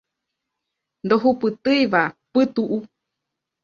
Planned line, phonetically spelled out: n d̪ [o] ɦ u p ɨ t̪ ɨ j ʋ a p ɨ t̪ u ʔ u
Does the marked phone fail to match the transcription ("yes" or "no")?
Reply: no